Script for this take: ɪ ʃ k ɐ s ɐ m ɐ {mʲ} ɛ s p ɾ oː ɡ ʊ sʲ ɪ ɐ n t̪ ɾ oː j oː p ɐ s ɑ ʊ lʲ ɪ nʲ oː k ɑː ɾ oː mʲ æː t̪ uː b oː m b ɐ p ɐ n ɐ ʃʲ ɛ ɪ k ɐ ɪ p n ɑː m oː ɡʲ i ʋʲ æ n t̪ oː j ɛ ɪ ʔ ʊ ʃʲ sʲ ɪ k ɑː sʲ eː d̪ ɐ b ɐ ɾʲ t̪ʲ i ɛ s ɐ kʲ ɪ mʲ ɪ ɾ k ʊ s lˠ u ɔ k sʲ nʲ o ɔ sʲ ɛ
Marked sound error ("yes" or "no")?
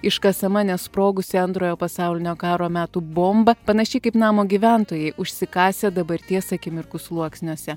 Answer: yes